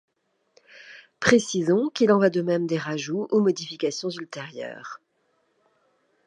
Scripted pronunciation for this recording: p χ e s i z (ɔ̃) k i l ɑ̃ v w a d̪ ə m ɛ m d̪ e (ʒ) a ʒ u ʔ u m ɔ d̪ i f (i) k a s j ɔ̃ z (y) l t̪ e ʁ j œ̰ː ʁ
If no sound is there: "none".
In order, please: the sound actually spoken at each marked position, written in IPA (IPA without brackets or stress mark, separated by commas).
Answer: ɔ̃, ʁ, i, y